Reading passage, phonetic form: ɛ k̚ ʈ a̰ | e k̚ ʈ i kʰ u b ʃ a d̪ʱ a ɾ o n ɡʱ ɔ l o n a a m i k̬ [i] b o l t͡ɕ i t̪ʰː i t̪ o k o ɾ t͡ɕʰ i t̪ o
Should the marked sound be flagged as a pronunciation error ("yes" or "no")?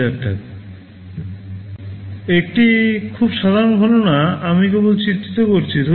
yes